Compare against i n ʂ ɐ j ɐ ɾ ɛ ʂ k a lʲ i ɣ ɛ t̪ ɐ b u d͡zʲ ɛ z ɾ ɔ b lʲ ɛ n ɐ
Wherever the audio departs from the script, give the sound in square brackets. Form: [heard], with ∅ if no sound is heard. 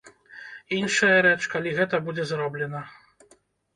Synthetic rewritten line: i n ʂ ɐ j ɐ ɾ ɛ [t͡ʂ] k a lʲ i ɣ ɛ t̪ ɐ b u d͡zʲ ɛ z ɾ ɔ b lʲ ɛ n ɐ